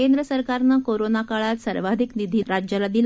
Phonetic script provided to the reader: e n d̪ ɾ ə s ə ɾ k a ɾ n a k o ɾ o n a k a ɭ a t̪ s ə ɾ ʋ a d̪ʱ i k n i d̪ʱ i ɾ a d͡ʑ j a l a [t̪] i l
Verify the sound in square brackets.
incorrect: d̪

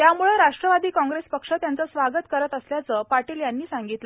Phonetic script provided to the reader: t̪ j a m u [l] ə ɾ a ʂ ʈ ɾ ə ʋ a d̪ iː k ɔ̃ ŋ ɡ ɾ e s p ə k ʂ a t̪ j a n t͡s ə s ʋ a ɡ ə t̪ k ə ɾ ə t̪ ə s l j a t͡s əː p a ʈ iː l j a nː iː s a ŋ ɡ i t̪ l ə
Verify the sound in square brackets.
incorrect: ɭ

